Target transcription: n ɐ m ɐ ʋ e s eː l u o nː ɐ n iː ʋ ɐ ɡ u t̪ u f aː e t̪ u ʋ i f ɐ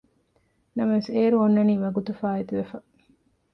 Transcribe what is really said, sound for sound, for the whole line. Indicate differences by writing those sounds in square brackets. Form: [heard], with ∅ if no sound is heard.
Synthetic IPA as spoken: n ɐ m ɐ ʋ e s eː [ɾ] u o nː ɐ n iː ʋ ɐ ɡ u t̪ u f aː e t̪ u ʋ [e] f ɐ